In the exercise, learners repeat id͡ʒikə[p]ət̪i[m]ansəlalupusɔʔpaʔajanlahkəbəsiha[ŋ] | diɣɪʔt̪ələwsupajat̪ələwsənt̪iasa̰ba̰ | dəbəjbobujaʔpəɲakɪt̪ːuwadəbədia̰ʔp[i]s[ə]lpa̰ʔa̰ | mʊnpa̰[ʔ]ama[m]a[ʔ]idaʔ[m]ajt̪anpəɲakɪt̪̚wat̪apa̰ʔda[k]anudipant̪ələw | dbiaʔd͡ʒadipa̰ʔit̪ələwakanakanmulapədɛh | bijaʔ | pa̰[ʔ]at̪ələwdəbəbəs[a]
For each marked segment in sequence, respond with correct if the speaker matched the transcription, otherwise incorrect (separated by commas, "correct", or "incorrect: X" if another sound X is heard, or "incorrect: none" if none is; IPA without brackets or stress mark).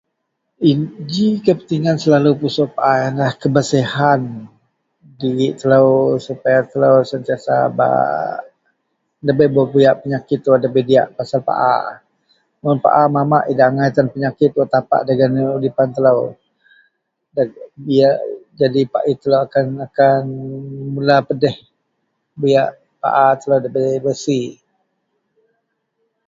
correct, incorrect: ŋ, incorrect: n, incorrect: a, incorrect: a, correct, correct, correct, incorrect: ŋ, incorrect: ɡ, correct, incorrect: i